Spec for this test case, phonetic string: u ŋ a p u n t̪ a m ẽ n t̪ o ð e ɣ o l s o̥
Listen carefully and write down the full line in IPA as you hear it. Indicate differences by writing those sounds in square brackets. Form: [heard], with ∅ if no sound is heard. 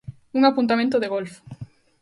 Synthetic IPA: u ŋ a p u n t̪ a m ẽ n t̪ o ð e ɣ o l [f] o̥